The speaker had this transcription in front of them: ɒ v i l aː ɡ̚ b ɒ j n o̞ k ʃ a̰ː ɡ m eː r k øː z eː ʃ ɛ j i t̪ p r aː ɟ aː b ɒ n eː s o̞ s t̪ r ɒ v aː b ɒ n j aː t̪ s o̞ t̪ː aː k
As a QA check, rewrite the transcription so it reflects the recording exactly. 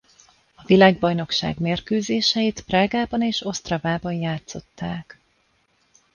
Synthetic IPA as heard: ɒ v i l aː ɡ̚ b ɒ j n o̞ k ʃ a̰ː ɡ m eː r k øː z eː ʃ ɛ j i t̪ p r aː ɡ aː b ɒ n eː ʃ o̞ s t̪ r ɒ v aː b ɒ n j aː t̪ s o̞ t̪ː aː k